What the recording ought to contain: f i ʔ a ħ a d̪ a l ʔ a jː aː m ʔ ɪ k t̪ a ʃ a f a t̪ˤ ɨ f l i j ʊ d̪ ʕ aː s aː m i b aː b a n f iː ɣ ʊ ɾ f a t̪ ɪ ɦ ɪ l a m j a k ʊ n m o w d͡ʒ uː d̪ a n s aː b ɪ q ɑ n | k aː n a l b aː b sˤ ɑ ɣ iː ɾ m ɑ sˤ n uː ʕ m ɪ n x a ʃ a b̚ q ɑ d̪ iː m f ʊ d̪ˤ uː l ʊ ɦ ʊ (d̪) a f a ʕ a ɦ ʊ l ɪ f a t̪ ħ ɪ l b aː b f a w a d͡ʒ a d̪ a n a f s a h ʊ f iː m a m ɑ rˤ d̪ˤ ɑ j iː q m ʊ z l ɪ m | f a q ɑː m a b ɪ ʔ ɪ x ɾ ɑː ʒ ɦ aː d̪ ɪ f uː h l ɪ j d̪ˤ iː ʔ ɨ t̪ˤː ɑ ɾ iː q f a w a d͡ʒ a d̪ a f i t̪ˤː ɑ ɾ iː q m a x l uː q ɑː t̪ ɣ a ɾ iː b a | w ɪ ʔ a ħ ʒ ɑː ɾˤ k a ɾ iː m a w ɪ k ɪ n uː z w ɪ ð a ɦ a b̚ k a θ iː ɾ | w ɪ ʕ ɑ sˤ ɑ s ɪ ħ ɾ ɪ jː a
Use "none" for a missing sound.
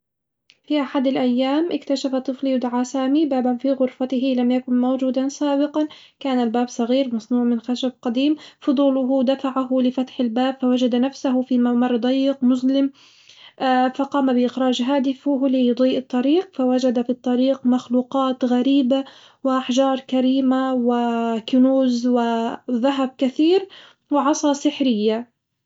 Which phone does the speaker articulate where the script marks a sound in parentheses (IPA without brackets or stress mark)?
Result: d̪